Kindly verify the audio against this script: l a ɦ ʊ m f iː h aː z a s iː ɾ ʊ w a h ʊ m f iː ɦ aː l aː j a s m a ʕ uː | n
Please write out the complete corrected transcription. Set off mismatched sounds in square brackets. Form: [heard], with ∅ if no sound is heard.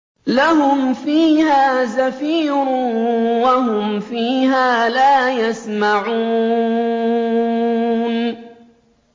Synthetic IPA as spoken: l a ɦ ʊ m f iː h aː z a [f] iː ɾ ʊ w a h ʊ m f iː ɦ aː l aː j a s m a ʕ uː | n